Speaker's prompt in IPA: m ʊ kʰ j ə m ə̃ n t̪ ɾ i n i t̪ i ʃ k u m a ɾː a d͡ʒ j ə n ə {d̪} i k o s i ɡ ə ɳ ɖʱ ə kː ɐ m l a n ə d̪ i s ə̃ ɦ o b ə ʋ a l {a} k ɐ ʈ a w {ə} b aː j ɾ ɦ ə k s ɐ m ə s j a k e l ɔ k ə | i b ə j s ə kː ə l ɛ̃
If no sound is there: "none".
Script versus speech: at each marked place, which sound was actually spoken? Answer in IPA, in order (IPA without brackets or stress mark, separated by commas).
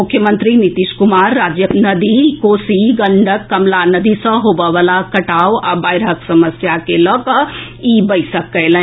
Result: d̪, a, a